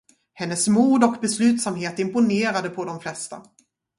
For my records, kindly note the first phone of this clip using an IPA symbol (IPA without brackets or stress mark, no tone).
h